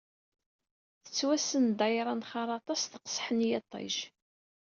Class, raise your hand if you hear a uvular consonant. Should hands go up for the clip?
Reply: yes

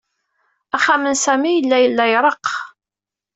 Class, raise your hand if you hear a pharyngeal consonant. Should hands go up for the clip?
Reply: no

